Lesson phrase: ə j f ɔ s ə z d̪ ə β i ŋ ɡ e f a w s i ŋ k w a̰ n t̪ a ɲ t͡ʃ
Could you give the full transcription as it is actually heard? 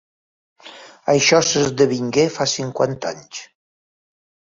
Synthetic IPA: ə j ʃ ɔ s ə z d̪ ə β i ŋ ɡ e f a s i ŋ k w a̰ n t̪ a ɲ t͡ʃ

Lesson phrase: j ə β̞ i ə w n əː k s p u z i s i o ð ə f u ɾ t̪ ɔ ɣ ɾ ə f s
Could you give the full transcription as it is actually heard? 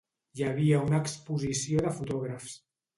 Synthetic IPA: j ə β̞ i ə u n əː k s p u z i s i o ð ə f u t̪ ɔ ɣ ɾ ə f s

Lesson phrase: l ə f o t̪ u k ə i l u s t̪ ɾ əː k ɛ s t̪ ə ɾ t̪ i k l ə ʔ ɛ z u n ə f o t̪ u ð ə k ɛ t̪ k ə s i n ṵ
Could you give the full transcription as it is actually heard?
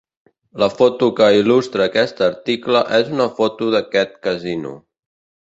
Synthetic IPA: l ə f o t̪ u k ə i l u s t̪ ɾ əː k ɛ s t̪ ə ɾ t̪ i k l ə ʔ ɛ z u n ə f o t̪ u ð ə k ɛ t̪ k ə z i n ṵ

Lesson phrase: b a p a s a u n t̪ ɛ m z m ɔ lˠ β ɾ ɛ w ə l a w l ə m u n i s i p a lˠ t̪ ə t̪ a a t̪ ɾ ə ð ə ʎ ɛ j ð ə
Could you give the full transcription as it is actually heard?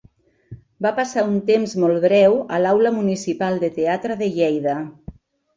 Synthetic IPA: b a p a s a u n t̪ e m z m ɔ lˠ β ɾ ɛ w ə l a w l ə m u n i s i p a lˠ d̪ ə t̪ e a t̪ ɾ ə ð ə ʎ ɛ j ð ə

